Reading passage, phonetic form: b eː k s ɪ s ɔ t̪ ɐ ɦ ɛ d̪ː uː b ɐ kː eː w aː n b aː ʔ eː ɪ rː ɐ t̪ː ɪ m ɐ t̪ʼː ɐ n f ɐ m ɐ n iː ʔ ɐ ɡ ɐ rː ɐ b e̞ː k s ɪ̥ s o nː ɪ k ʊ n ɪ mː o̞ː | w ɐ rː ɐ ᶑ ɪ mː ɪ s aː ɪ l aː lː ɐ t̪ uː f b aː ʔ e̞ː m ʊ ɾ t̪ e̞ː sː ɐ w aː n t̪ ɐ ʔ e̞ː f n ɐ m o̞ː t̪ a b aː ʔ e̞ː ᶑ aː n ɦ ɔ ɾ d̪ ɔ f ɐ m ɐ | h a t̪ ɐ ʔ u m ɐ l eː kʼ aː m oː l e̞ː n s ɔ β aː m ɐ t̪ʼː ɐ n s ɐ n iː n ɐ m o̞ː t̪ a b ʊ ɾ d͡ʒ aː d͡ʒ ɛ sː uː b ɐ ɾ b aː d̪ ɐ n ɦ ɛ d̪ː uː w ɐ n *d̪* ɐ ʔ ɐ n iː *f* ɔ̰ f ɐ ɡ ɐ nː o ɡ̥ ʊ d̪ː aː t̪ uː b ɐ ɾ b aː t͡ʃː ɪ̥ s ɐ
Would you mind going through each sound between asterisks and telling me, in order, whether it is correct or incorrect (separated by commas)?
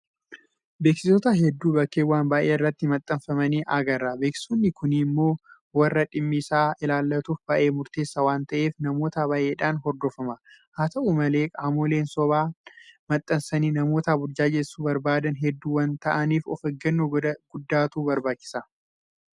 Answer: incorrect, correct